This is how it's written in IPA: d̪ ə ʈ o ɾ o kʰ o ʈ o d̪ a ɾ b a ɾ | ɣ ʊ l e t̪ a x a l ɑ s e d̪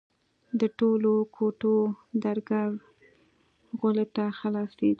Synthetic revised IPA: d̪ ə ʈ o l o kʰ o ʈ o d̪ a ɾ ɡ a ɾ | ɣ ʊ l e t̪ a x a l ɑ s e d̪